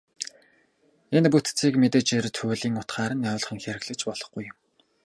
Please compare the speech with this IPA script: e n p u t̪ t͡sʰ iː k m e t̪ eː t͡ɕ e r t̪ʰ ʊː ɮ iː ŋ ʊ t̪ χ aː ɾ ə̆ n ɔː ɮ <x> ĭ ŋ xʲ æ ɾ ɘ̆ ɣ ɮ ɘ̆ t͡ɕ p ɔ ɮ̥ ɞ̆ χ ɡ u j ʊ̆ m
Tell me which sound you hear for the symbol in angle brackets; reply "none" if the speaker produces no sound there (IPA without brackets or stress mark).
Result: χ